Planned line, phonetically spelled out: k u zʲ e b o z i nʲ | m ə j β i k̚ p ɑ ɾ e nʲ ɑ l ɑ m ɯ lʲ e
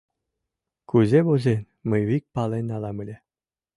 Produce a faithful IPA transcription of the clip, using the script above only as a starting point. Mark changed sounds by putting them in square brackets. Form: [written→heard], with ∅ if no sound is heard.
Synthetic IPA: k u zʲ e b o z [i→e] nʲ | m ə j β i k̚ p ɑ [ɾ→l] e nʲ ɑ l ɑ m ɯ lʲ e